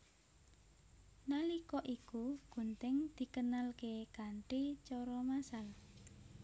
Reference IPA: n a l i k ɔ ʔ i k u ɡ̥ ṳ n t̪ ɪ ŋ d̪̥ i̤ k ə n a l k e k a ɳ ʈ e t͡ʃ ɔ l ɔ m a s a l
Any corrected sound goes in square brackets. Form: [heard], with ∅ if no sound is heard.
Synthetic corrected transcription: n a l i k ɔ ʔ i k u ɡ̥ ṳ n t̪ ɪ ŋ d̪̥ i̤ k ə n a l k e k a ɳ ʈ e t͡ʃ ɔ [ɾ] ɔ m a s a l